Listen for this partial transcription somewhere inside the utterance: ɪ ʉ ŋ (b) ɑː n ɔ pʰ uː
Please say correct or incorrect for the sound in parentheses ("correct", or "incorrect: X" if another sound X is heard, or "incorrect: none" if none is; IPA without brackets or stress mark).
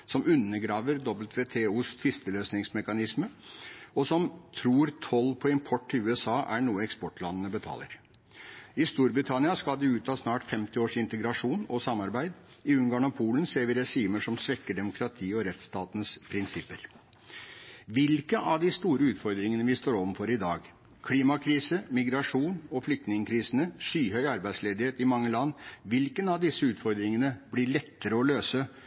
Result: incorrect: ɡ